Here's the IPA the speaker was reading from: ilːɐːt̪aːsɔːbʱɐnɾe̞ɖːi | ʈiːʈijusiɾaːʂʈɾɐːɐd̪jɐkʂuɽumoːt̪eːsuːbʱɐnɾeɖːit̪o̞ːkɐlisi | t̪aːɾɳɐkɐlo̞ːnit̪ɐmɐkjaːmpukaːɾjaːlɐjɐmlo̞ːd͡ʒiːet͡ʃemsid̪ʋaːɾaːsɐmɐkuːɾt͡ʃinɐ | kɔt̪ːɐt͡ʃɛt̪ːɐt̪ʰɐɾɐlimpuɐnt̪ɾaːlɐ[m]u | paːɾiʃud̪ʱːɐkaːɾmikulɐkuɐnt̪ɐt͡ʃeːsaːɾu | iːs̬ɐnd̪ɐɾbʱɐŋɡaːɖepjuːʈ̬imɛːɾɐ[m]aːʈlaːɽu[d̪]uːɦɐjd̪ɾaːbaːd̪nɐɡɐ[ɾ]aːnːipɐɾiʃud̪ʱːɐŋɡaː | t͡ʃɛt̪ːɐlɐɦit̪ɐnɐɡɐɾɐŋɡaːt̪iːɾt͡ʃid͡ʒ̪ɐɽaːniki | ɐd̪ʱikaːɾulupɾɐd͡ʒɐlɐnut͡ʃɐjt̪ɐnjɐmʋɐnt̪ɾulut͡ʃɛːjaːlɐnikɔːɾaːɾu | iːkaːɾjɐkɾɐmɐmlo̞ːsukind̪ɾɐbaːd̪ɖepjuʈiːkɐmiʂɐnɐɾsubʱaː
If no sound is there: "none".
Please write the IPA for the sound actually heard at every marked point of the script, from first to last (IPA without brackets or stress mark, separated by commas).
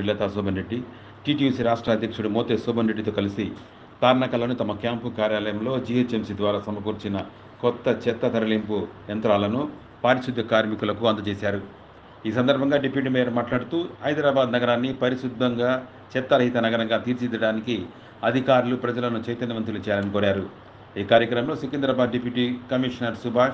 n, m, t̪, ɾ